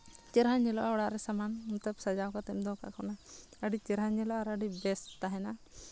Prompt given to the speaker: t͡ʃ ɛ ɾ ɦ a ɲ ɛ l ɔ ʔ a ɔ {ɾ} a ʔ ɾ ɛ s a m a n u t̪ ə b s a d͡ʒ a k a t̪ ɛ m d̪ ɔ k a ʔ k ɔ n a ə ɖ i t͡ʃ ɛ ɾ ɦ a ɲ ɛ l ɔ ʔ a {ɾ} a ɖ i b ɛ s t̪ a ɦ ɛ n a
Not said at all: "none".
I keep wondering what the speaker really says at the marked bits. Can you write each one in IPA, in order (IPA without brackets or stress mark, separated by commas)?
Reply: ɽ, ɾ